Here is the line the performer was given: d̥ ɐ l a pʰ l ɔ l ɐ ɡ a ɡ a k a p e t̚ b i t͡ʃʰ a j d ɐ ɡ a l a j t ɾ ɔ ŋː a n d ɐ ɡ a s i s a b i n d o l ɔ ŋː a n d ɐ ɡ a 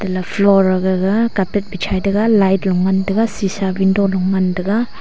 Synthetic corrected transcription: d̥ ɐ l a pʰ l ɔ ɾ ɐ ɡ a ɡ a k a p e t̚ b i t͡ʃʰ a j d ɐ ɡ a l a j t l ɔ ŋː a n d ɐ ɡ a s i s a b i n d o l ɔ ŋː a n d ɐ ɡ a